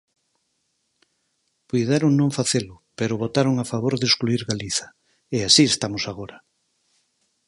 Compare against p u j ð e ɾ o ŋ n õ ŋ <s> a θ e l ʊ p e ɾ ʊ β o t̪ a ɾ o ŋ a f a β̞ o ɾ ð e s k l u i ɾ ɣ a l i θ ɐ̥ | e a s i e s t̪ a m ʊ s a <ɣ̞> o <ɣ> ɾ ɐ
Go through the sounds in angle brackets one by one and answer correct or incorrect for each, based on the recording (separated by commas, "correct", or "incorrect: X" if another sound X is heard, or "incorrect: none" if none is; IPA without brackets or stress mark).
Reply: incorrect: f, correct, incorrect: none